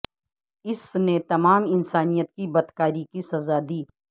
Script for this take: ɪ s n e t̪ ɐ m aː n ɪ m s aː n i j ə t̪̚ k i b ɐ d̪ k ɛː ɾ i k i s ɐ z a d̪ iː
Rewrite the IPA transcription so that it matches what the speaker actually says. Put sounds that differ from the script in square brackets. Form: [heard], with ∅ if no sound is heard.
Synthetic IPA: ɪ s n e t̪ ɐ m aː [m] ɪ [n] s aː n i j ə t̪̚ k i b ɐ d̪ k [aː] ɾ i k i s ɐ z a d̪ iː